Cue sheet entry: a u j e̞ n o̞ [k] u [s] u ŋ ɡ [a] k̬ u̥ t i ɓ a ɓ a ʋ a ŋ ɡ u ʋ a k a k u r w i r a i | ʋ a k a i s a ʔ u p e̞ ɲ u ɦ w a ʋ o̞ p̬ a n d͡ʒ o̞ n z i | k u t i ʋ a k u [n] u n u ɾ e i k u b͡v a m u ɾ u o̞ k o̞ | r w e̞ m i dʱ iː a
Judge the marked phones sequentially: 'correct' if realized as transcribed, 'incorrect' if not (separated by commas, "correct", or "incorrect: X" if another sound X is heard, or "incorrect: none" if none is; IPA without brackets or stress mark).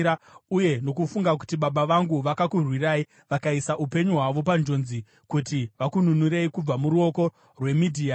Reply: correct, incorrect: f, correct, correct